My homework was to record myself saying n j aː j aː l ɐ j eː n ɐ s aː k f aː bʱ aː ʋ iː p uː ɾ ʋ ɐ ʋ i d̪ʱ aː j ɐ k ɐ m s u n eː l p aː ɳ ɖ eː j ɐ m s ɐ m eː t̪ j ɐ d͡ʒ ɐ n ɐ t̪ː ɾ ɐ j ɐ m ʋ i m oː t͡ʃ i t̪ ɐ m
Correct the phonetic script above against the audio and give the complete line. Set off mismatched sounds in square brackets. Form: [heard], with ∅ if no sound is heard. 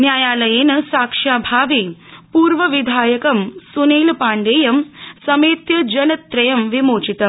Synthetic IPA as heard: n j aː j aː l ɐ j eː n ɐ s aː k [ʂ] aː bʱ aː ʋ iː p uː ɾ ʋ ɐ ʋ i d̪ʱ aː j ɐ k ɐ m s u n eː l p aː ɳ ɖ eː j ɐ m s ɐ m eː t̪ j ɐ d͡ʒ ɐ n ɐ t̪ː ɾ ɐ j ɐ m ʋ i m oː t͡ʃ i t̪ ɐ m